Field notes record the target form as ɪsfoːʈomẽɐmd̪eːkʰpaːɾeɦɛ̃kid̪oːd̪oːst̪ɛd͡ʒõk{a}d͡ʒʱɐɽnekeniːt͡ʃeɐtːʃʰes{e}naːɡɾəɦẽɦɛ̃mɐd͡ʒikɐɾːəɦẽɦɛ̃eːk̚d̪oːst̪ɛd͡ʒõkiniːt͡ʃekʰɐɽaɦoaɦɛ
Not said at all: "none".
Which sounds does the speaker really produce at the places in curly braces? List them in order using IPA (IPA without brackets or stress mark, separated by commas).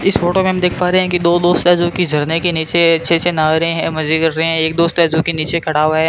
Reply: i, e